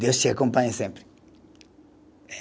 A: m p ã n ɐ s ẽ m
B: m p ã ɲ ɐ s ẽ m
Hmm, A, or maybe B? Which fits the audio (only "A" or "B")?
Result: B